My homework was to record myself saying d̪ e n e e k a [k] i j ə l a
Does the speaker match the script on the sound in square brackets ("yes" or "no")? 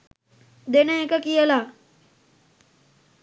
yes